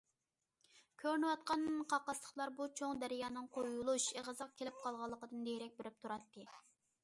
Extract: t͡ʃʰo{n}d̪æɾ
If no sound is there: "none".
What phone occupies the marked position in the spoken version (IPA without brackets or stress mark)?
ŋ